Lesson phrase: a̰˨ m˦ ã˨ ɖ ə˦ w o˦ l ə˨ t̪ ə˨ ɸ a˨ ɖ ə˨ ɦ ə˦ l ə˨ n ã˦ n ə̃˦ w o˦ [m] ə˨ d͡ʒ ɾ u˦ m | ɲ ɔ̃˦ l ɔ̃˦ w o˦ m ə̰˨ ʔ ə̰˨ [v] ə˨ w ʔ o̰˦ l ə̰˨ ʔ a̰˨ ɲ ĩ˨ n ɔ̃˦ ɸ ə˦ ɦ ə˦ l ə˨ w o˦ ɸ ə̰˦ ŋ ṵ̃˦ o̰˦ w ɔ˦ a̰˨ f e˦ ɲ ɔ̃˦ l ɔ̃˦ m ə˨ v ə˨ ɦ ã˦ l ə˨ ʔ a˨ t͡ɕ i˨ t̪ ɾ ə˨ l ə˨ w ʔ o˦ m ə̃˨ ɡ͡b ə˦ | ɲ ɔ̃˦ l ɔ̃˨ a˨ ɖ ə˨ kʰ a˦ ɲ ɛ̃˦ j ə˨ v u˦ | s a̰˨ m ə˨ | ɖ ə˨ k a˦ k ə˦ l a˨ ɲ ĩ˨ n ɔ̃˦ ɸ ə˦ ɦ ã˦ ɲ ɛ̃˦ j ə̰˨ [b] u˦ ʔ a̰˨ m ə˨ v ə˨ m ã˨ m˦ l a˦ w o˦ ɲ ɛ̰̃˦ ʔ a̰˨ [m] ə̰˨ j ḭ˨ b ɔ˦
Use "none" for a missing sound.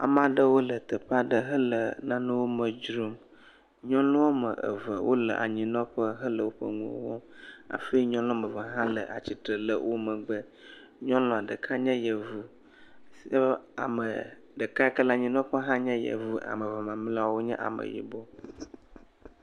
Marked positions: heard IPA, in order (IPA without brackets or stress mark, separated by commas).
m, v, v, m